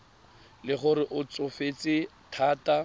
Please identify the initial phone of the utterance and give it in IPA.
l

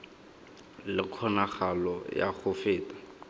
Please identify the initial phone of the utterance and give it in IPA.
l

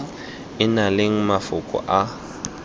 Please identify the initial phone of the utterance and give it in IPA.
ɪ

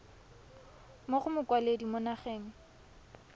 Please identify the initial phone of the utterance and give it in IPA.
m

